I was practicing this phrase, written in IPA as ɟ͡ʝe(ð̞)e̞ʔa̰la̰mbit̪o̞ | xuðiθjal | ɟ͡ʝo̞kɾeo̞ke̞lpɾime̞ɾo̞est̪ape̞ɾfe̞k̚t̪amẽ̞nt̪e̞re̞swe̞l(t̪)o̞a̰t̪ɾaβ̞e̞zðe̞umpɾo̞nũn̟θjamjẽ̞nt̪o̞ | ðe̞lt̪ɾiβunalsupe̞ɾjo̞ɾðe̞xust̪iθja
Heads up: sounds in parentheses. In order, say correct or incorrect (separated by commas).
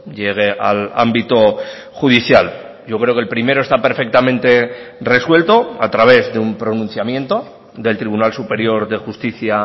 incorrect, correct